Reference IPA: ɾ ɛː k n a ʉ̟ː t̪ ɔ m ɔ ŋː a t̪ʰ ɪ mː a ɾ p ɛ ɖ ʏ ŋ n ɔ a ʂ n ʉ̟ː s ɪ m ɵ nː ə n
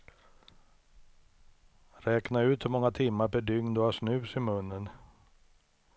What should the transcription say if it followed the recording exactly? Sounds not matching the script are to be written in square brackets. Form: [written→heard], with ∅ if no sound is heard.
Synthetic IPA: ɾ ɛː k n a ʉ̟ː t̪ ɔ m ɔ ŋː a t̪ʰ ɪ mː a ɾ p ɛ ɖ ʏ ŋ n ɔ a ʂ n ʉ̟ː s ɪ m ɵ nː ə n

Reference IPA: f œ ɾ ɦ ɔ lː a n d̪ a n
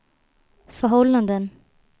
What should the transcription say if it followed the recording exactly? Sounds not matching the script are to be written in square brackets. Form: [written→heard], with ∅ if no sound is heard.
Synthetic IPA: f œ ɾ ɦ ɔ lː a n d̪ [a→ə] n

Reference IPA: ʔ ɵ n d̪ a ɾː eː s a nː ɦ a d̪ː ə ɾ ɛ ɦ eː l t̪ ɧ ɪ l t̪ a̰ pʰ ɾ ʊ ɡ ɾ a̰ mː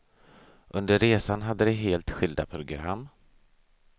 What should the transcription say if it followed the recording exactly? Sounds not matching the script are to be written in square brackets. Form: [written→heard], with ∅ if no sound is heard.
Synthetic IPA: ʔ ɵ n d̪ [a→ə] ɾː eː s a [nː→n] ɦ a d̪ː ə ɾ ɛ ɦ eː l t̪ ɧ ɪ l [t̪→d̪] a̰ pʰ ɾ ʊ ɡ ɾ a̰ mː

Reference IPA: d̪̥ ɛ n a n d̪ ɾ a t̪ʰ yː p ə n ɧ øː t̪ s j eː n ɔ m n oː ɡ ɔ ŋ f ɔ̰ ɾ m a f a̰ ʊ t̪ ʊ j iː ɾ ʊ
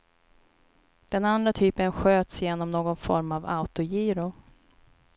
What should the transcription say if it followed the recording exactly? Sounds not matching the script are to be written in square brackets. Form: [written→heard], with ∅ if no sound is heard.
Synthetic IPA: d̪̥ ɛ n a n d̪ ɾ a t̪ʰ yː p ə n ɧ øː t̪ s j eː n ɔ m n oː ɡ ɔ [ŋ→n] f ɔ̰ ɾ m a [f→v] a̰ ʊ t̪ ʊ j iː ɾ ʊ

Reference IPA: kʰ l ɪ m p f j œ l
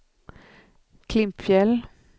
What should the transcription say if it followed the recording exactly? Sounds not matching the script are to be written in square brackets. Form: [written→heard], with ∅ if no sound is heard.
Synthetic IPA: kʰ l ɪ m p f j [œ→ɛ] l

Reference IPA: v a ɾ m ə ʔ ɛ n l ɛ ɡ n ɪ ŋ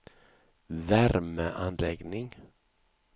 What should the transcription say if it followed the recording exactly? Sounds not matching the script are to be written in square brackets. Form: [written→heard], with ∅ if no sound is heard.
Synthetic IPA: v [a→æ] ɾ m ə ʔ [ɛ→a] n l ɛ ɡ n ɪ ŋ

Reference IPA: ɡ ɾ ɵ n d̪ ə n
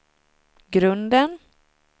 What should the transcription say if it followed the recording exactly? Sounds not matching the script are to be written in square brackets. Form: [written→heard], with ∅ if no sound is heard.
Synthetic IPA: ɡ ɾ ɵ n d̪ ə n

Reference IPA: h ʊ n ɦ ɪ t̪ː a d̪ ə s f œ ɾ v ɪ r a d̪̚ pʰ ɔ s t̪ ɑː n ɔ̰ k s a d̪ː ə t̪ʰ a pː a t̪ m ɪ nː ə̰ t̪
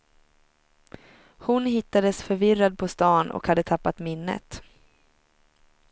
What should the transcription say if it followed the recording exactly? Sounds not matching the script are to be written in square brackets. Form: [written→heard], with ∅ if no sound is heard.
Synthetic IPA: h ʊ n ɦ ɪ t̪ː a d̪ ə s f œ ɾ v ɪ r a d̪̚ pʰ ɔ s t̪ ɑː n ɔ̰ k [s→h] a d̪ː ə t̪ʰ a pː a t̪ m ɪ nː ə̰ t̪

